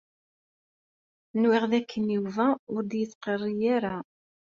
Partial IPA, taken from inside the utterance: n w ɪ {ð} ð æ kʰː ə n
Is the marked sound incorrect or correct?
incorrect